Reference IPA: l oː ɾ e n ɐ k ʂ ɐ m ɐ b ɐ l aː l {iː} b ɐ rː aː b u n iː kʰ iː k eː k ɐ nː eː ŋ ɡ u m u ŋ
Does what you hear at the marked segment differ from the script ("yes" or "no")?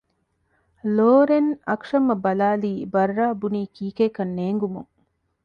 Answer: no